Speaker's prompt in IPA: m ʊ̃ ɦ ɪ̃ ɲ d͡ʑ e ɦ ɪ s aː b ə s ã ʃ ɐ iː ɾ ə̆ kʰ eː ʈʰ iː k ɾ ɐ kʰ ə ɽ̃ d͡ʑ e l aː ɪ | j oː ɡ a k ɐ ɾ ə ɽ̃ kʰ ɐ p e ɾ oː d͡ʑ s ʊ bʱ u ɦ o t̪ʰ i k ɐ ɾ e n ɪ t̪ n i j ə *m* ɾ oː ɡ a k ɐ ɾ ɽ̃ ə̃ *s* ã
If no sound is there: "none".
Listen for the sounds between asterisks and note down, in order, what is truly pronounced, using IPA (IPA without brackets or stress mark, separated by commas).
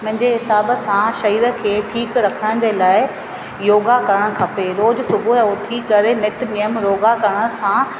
m, s